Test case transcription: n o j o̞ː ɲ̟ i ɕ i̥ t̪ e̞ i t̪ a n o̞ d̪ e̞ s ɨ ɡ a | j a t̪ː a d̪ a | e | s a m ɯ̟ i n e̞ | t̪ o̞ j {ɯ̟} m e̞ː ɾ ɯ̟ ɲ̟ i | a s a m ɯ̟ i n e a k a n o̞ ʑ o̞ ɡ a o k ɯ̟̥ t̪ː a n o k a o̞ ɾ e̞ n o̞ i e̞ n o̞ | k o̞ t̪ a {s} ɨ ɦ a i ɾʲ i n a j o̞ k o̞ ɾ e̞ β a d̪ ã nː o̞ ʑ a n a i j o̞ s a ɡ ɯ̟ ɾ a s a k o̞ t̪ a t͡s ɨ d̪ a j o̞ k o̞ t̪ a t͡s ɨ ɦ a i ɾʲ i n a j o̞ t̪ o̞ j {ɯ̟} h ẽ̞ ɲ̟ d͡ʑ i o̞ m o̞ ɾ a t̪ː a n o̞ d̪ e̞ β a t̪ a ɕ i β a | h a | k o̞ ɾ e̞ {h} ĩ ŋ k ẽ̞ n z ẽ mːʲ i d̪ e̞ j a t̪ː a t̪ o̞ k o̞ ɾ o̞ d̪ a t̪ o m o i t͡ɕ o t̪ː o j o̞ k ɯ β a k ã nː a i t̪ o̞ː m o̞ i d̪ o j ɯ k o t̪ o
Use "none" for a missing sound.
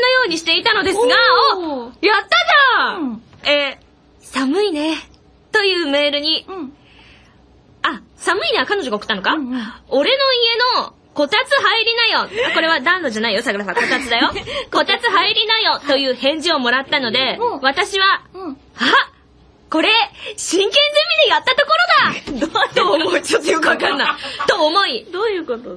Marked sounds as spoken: ɯ̟ː, t͡s, ɯ̟ː, ɕ

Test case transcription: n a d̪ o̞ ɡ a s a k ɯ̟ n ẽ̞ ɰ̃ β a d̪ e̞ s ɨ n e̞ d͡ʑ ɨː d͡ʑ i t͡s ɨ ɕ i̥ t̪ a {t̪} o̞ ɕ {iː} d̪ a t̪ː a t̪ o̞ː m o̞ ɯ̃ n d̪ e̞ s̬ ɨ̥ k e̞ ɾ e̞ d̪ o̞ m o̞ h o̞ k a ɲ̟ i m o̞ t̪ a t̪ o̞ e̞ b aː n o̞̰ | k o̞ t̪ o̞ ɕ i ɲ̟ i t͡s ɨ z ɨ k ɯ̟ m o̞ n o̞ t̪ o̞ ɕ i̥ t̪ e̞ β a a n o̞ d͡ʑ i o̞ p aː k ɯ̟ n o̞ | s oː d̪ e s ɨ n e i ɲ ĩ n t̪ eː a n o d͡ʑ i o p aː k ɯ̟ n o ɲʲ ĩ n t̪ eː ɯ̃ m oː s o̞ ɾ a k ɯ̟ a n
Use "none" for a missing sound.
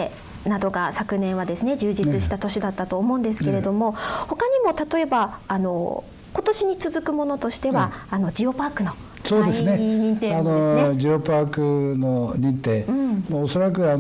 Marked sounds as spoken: t̪, i

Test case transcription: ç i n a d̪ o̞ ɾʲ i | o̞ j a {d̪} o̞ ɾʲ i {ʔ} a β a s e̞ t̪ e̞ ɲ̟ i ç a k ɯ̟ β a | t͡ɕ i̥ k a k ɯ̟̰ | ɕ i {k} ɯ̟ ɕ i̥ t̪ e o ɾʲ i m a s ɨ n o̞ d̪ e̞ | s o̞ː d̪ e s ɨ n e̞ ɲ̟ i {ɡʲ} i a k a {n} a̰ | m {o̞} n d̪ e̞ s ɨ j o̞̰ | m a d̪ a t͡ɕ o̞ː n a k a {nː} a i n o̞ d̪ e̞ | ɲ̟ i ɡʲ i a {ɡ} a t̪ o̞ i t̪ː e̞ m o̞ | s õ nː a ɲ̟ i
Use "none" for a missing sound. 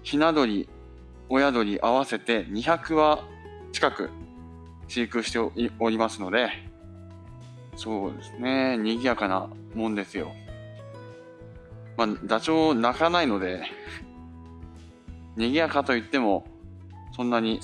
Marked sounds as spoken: d̪, ʔ, k, ɡʲ, n, õ̞, n, k

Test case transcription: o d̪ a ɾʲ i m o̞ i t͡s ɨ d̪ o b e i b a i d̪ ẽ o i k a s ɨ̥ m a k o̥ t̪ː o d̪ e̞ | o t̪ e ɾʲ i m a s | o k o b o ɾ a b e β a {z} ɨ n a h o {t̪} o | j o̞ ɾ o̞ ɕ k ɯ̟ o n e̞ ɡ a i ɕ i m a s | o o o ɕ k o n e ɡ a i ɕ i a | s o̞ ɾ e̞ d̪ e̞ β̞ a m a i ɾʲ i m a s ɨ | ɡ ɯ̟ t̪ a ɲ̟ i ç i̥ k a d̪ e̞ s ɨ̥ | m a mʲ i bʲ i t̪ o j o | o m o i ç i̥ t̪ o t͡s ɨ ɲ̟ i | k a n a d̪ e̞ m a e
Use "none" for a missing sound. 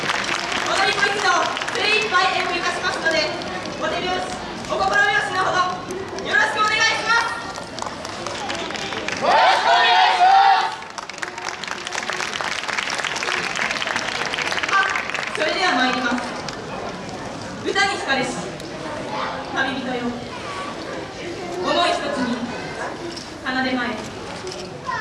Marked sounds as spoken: s, d̪

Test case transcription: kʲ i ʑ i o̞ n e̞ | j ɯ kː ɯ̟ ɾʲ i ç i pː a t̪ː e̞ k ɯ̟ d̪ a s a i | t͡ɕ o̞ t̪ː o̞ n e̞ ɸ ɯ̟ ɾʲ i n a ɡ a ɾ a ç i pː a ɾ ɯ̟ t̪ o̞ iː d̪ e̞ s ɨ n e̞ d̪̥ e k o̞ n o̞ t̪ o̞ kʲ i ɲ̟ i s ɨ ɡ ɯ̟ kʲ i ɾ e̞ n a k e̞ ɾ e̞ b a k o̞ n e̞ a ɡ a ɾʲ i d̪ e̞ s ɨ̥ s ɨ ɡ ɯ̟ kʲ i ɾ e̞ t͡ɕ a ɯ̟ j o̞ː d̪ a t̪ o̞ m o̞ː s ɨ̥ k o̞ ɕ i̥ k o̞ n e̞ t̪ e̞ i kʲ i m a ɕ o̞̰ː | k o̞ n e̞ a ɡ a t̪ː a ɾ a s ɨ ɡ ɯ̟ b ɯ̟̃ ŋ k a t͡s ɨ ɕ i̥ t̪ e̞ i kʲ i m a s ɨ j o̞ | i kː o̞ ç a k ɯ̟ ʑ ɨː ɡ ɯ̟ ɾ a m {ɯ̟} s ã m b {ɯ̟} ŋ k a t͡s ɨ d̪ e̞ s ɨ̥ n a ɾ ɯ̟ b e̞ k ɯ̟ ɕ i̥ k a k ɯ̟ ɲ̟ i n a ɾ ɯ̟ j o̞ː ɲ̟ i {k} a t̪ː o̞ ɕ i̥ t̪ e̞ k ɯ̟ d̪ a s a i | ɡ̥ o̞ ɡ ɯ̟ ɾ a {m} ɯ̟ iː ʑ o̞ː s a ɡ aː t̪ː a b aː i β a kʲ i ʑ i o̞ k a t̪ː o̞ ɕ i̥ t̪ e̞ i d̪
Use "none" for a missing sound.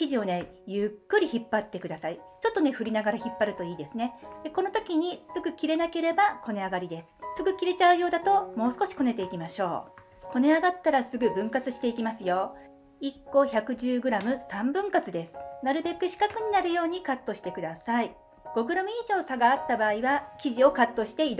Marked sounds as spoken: ɯ̟, ɯ̟̃, k, m

